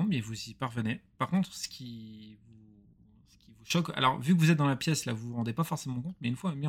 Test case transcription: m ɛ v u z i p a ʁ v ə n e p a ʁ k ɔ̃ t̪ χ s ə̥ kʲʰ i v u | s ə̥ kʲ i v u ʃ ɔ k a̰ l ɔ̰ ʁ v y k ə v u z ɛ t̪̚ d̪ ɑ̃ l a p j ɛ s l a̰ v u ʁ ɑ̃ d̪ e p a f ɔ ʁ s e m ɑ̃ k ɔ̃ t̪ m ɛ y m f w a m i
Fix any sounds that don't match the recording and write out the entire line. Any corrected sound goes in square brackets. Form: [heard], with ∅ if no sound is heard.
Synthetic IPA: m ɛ v u z i p a ʁ v ə n e p a ʁ k ɔ̃ t̪ χ s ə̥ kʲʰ i v u | s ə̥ kʲ i v u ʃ ɔ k a̰ l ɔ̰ ʁ v y k ə v u z ɛ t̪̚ d̪ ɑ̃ l a p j ɛ s l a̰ v u ʁ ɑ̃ d̪ e p a f ɔ ʁ s e m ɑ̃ k ɔ̃ t̪ m ɛ y [n] f w a m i